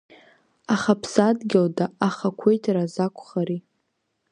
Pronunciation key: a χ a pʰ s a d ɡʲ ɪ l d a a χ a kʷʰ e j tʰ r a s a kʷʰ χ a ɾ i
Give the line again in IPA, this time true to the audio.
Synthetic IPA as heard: a χ a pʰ s a d ɡʲ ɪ l d a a χ a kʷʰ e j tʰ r a z a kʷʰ χ a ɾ i